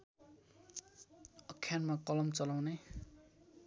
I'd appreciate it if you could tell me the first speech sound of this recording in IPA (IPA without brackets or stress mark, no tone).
ʌ